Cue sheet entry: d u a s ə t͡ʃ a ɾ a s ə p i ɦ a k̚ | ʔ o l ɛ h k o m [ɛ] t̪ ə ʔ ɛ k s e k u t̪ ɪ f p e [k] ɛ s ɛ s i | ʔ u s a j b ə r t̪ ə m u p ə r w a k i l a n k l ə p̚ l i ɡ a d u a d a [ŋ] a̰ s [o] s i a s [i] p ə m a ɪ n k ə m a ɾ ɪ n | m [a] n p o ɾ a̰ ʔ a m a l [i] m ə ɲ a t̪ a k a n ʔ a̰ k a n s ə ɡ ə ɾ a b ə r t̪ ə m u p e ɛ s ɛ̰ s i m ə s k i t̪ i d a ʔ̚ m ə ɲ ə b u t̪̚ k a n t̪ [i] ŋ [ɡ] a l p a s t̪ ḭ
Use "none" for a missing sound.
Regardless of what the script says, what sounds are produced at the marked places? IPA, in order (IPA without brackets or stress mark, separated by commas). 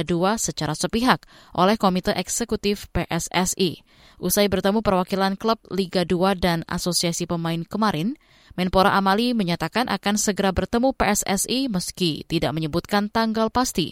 i, ʔ, n, o, i, ɛ, i, a, ɡ